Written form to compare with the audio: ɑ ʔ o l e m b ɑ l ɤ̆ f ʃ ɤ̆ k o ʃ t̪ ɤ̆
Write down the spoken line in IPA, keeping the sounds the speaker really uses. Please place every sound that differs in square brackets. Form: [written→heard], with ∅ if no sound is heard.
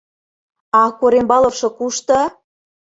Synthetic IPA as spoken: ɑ [ʔ→k] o [l→ɾ] e m b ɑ l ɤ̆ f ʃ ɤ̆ k [o→u] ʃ t̪ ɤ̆